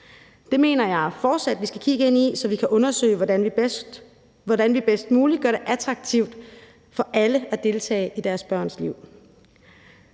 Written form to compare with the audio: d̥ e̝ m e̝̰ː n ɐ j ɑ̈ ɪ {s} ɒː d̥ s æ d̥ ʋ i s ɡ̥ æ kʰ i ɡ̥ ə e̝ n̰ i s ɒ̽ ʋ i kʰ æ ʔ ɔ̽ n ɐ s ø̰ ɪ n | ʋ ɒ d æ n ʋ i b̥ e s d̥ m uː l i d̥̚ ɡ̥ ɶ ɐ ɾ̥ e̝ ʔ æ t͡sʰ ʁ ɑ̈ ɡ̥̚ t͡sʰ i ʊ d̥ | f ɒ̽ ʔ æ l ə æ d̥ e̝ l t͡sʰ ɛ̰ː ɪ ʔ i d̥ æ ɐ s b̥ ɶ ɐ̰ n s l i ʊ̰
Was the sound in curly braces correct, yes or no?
no